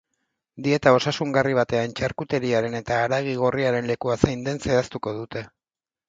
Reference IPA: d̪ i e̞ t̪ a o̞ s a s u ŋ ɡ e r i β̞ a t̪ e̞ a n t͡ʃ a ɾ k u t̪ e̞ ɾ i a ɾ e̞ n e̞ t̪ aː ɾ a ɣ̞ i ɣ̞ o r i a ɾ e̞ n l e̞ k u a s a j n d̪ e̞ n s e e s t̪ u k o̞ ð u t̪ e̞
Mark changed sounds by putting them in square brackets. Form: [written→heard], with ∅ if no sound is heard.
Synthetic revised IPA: d̪ i e̞ t̪ a o̞ s a s u ŋ ɡ [e→a] r i β̞ a t̪ e̞ a n t͡ʃ a ɾ k u t̪ e̞ ɾ i a ɾ e̞ n e̞ t̪ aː ɾ a ɣ̞ i ɣ̞ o r i a ɾ e̞ n l e̞ k u a s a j n d̪ e̞ n s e [e→a] s t̪ u k o̞ ð u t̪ e̞